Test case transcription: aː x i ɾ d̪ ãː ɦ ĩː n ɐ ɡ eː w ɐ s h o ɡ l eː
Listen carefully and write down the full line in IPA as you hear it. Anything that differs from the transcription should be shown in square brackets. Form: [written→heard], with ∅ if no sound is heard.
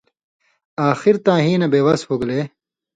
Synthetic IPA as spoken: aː x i ɾ [d̪→t̪] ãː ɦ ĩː n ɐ [ɡ→b] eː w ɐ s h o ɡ l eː